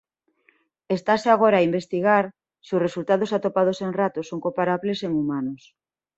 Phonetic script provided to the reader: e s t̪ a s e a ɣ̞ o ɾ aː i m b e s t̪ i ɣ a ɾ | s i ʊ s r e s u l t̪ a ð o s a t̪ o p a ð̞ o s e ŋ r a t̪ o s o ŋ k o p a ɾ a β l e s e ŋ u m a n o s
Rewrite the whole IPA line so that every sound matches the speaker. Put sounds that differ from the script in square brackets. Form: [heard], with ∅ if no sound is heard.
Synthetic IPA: e s t̪ a s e a ɣ̞ o ɾ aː i m b e s t̪ i ɣ a ɾ | s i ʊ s r e s u l t̪ a ð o s a t̪ o p a ð̞ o s e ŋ r a t̪ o s o ŋ k o p a ɾ a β l e s e ŋ u m a n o s

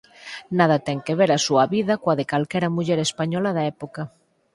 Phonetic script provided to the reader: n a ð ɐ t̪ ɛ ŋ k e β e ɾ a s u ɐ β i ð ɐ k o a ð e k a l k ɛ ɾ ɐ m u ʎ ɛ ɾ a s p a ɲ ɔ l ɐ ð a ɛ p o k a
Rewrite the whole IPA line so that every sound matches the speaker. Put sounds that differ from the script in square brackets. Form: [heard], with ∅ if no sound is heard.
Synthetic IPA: n a ð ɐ t̪ ɛ ŋ k e β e ɾ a s u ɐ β i ð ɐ k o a ð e k a l k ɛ ɾ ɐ m u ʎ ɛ ɾ [e] s p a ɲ ɔ l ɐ ð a ɛ p o k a

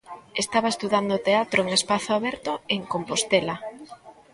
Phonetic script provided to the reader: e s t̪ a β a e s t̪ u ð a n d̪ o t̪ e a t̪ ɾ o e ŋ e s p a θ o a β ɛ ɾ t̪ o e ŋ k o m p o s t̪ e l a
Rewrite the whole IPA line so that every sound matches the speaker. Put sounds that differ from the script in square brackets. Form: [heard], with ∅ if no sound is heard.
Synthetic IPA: e s t̪ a β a e s t̪ u ð a n d̪ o t̪ e a t̪ ɾ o e ŋ e s p a θ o a β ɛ ɾ t̪ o e ŋ k o m p o s t̪ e l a

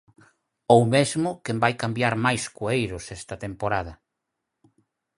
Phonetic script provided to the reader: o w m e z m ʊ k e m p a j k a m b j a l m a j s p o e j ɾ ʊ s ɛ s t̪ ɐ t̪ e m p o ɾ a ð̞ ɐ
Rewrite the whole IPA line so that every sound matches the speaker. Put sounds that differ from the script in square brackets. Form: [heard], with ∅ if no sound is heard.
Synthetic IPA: o w m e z m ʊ k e m [b] a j k a m b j a [ɾ] m a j s [k] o e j ɾ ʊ s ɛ s t̪ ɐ t̪ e m p o ɾ a ð̞ ɐ

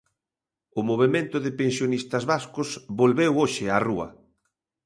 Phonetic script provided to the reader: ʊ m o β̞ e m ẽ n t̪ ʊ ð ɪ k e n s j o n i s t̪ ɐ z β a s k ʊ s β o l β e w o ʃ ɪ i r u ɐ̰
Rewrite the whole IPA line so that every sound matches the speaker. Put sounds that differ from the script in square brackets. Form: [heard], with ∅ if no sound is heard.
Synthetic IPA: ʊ m o β̞ e m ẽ n t̪ ʊ ð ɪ [p] e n s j o n i s t̪ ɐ z β a s k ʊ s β o l β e w o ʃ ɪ [a] r u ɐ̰

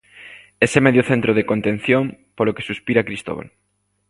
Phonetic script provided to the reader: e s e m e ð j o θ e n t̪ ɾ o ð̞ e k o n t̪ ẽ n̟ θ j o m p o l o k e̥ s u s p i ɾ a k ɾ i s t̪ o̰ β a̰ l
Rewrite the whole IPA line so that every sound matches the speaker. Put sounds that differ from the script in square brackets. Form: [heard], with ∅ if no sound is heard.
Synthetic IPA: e s e m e ð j o θ e n t̪ ɾ o ð̞ e k o n t̪ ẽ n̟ θ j o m p o l o k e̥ s u s p i ɾ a k ɾ i s t̪ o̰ β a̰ l

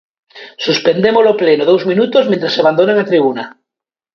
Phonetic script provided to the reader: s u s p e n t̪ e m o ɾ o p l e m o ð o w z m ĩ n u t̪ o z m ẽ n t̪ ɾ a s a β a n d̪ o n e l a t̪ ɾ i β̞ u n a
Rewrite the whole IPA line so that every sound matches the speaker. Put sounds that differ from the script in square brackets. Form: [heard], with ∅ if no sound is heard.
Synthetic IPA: s u s p e n [d̪] e m o [l] o p l e [n] o ð o w z m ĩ n u t̪ o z m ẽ n t̪ ɾ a s a β a n d̪ o n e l a t̪ ɾ i β̞ u n a

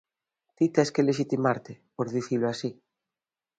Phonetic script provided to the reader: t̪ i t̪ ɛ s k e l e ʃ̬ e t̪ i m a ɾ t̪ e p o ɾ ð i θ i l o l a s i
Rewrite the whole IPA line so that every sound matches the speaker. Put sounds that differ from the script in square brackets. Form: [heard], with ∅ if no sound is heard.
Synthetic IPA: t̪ i t̪ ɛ s k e l e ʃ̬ [i] t̪ i m a ɾ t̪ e p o ɾ ð i θ i l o [∅] a s i

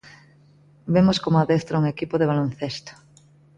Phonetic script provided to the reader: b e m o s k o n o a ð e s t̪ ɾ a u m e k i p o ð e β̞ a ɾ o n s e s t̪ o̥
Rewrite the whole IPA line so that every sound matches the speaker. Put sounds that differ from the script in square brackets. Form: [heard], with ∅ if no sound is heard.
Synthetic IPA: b e m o s k o [m] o a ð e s t̪ ɾ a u [ŋ] e k i p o ð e β̞ a [l] o n [θ] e s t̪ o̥

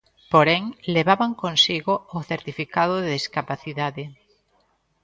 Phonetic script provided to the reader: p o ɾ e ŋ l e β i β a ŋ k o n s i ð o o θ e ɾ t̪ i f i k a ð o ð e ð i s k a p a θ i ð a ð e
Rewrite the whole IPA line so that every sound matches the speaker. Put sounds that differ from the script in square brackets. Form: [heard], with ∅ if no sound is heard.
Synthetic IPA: p o ɾ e ŋ l e β [a] β a ŋ k o n s i [ɣ] o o θ e ɾ t̪ i f i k a ð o ð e ð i s k a p a θ i ð a ð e

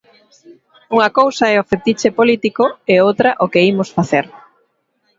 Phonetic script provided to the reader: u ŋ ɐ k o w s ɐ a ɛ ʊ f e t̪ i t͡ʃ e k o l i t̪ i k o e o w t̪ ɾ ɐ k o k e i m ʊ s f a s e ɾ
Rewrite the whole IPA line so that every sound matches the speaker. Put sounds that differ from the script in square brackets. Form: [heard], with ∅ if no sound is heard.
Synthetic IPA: u ŋ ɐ k o w s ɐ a ɛ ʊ f e t̪ i t͡ʃ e [p] o l i t̪ i k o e o w t̪ ɾ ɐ [ʔ] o k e i m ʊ s f a [θ] e ɾ

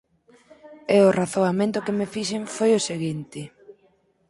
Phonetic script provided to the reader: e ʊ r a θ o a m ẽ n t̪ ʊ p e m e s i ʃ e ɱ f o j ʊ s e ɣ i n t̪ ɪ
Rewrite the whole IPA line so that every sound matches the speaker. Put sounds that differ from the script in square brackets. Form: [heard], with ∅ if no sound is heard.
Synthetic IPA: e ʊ r a θ o a m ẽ n t̪ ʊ [k] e m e [f] i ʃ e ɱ f o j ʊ s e ɣ i n t̪ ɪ

